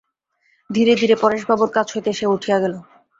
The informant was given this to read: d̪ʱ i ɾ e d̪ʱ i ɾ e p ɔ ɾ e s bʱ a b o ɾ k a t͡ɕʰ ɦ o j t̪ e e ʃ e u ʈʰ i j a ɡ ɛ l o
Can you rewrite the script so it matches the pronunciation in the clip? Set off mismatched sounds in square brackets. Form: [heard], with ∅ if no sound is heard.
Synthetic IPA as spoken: d̪ʱ i ɾ e d̪ʱ i ɾ e p ɔ ɾ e [ʃ] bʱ a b o ɾ k a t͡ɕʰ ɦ o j t̪ e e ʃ e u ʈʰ i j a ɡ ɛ l o